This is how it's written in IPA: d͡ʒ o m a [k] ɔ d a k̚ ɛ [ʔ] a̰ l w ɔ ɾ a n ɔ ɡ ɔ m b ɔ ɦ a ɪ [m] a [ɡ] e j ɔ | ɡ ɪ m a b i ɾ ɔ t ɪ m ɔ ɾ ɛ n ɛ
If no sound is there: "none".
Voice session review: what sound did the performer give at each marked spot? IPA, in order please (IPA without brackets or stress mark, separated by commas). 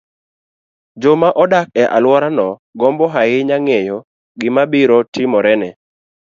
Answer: ʔ, ʔ, ɲ, ŋ